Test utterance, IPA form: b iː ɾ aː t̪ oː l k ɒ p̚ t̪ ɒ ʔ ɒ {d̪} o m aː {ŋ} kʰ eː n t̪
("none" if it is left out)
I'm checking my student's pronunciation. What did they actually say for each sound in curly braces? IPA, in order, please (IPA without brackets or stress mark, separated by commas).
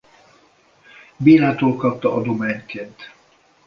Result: d̪, ɲ